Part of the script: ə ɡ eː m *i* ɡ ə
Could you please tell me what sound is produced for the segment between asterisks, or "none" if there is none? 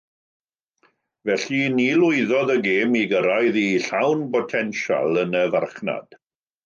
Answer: i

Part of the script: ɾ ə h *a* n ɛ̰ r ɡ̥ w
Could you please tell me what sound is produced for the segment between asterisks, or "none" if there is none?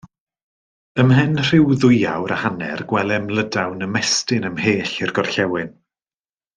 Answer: a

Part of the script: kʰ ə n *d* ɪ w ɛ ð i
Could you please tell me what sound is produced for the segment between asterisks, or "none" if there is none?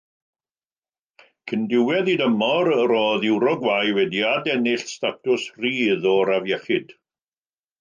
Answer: d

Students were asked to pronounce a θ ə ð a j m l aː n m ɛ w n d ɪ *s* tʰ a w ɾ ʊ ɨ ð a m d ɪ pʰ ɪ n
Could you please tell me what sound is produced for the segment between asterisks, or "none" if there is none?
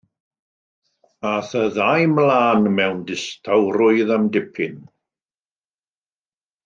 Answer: s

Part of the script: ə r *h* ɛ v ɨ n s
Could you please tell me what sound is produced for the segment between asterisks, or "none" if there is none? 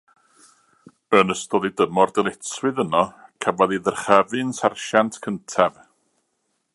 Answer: χ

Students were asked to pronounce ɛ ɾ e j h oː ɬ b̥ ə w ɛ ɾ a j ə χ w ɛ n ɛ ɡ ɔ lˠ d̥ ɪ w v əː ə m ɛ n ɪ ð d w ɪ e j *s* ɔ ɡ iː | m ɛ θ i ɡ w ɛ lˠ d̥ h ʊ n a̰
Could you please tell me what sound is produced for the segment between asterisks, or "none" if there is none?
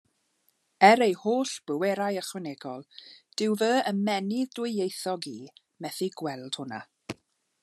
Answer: θ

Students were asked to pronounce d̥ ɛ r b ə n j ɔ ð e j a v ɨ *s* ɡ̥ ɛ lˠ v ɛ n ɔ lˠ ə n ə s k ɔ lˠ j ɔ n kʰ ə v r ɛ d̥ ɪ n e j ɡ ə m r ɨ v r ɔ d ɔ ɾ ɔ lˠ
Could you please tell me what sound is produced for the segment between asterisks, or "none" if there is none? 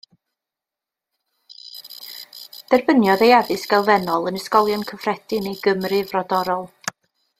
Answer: s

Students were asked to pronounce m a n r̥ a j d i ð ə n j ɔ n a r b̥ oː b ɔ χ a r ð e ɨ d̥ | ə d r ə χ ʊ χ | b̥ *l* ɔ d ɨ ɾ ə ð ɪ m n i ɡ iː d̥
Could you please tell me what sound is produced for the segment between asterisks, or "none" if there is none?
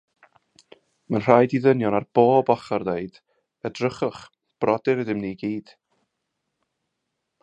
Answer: r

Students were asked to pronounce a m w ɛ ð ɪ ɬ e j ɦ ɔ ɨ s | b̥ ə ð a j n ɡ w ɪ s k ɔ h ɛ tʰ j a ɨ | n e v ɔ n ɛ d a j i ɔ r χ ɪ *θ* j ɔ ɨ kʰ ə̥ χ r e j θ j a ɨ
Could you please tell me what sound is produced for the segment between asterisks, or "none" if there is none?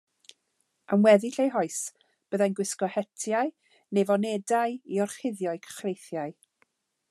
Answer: ð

